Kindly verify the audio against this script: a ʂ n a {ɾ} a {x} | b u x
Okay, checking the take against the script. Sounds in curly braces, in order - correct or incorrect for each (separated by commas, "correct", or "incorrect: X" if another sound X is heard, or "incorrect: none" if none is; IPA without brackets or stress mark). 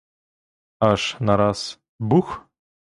correct, incorrect: s